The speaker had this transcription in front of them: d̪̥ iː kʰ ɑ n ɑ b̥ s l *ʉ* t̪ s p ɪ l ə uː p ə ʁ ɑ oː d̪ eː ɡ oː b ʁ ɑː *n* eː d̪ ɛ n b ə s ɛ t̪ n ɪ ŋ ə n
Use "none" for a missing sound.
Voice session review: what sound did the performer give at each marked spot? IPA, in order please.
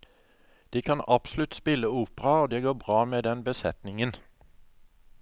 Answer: ʉ, m

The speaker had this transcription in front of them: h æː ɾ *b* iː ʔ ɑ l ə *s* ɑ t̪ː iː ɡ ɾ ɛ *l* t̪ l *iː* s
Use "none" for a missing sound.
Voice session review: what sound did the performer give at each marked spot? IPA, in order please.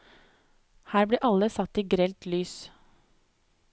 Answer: b, s, l, yː

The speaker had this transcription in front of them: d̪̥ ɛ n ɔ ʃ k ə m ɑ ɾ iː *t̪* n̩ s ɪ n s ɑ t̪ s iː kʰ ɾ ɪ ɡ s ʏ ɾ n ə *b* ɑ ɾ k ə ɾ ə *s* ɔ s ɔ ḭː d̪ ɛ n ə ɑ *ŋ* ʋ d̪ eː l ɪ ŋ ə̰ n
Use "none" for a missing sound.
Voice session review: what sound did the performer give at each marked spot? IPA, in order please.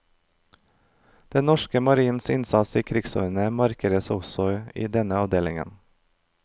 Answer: none, m, s, none

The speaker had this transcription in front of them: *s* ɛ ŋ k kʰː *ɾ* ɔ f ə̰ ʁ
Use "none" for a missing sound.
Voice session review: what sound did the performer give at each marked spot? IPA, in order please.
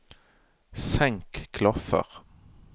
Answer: s, l

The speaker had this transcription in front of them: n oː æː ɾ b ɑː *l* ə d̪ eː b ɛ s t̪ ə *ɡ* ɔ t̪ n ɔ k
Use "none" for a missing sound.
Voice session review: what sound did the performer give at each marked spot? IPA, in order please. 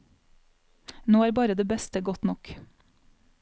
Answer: ɾ, ɡ

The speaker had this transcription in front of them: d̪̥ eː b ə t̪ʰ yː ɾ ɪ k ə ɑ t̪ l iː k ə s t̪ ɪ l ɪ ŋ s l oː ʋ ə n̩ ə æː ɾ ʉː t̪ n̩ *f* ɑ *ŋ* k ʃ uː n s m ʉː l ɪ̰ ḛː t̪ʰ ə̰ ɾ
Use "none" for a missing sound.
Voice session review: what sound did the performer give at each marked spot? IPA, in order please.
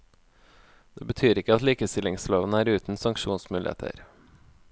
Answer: s, ŋ

